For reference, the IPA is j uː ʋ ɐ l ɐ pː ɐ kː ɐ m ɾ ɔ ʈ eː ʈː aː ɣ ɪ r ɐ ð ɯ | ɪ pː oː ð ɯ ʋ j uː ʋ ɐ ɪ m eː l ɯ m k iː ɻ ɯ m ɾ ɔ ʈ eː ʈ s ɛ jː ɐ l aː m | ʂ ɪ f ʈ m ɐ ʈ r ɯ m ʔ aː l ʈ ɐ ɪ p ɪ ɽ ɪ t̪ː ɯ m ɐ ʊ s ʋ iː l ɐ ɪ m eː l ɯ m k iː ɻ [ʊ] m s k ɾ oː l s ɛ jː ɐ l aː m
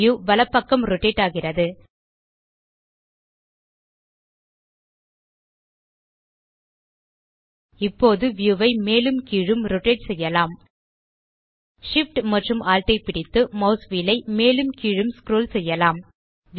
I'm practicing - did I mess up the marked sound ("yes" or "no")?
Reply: yes